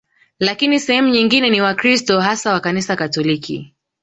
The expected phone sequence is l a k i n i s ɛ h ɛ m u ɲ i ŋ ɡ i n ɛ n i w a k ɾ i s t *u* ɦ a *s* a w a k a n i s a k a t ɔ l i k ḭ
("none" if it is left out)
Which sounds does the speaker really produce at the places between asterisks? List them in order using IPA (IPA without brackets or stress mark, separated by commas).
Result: ɔ, s